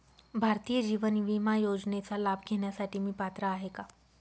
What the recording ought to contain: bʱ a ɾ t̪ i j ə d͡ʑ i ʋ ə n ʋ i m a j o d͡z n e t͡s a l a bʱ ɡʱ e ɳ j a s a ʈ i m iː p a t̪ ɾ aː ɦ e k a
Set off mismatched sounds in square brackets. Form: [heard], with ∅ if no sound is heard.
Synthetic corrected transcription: bʱ a ɾ t̪ i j ə d͡ʑ i ʋ ə n ʋ i m a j o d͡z n e t͡s a l a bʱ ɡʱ e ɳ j a s a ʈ [iː] m iː p a t̪ ɾ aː ɦ e k a